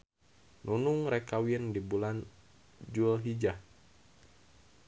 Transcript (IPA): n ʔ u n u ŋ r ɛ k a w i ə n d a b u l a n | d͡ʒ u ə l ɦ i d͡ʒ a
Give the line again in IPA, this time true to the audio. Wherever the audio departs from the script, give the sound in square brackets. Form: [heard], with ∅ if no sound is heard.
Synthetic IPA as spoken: n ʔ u n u ŋ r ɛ k a w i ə n d [i] b u l a n | d͡ʒ u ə l ɦ i d͡ʒ a